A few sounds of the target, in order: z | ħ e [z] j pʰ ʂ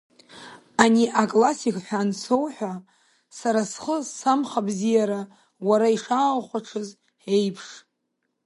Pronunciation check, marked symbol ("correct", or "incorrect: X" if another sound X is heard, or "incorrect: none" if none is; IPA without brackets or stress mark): incorrect: none